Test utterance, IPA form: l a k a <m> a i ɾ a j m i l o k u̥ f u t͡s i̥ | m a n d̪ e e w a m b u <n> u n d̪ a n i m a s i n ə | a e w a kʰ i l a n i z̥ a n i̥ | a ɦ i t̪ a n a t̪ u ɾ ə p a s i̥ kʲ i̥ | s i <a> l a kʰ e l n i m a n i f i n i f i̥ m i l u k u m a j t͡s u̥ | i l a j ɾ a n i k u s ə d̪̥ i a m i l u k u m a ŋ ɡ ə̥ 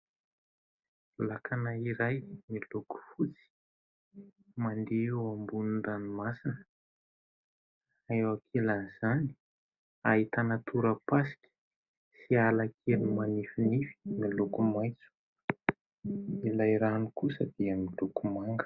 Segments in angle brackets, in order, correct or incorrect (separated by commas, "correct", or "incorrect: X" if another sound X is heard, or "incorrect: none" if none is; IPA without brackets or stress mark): incorrect: n, correct, correct